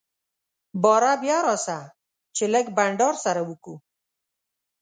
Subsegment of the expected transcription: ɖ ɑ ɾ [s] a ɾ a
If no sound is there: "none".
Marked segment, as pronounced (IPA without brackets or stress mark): s